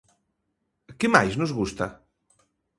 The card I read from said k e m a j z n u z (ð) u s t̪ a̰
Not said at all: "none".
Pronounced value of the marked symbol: ɣ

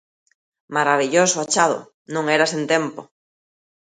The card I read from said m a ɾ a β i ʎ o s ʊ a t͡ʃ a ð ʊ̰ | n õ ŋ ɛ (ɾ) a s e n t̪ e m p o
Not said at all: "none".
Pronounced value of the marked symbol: ɾ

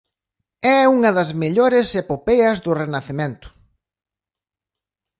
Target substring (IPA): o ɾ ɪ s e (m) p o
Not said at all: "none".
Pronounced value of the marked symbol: none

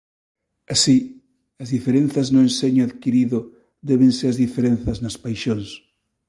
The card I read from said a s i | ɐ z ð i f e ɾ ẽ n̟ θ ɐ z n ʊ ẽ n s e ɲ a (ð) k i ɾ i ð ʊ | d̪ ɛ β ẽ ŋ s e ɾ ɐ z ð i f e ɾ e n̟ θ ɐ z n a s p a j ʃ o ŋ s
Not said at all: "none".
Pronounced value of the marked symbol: ð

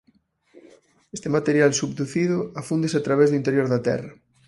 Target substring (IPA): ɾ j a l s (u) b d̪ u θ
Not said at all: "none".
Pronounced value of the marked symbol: u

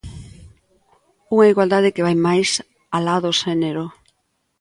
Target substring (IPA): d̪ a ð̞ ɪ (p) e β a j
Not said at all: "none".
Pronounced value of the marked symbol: k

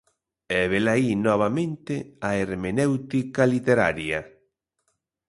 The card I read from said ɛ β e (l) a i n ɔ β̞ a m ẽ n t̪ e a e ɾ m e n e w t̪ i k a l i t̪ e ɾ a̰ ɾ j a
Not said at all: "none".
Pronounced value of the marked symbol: l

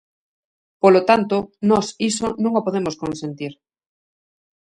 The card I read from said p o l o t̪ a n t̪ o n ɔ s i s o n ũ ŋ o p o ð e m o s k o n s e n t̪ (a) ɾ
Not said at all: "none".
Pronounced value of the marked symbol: i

